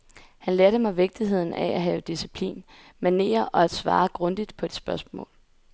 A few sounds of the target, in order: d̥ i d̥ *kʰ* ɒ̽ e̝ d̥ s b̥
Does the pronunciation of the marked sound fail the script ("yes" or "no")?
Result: yes